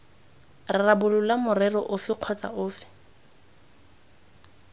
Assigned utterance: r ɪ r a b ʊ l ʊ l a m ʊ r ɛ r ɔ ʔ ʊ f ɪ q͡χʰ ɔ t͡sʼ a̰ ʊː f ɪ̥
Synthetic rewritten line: r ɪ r a b ʊ l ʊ l a m ʊ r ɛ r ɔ ʔ ʊ f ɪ q͡χʰ ɔ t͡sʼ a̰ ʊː f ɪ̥